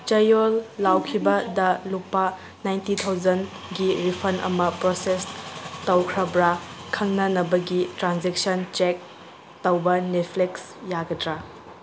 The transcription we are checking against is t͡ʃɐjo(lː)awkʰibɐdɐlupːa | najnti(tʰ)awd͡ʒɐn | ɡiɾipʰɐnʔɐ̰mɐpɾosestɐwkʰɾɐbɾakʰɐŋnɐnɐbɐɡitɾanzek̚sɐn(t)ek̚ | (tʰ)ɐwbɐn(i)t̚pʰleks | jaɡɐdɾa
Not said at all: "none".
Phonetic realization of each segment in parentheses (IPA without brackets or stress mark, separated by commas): lː, tʰ, t͡ʃ, t, e